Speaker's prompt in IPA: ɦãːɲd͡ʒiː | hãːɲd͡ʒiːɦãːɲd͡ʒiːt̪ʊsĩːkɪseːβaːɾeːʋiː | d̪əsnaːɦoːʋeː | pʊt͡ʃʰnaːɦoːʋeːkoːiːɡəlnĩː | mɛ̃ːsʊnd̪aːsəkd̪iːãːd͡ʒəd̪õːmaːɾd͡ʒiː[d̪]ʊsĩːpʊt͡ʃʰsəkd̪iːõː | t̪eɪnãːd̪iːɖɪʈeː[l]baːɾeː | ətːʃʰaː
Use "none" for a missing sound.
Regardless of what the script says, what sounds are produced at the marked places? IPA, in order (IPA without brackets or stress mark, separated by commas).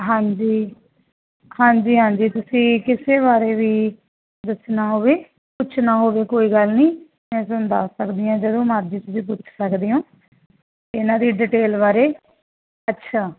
t̪, l